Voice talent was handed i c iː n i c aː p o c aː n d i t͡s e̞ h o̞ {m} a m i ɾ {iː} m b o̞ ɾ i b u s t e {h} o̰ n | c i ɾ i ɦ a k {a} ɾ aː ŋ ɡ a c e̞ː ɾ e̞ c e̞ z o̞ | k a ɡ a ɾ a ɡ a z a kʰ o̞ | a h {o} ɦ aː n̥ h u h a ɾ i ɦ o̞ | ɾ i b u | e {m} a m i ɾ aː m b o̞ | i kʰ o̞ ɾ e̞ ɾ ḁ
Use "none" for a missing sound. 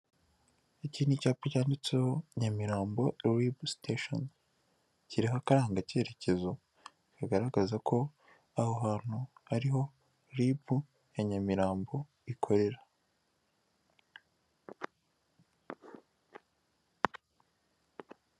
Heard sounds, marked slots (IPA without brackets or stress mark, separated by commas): ɲ, aː, ʃ, a, o, ɲ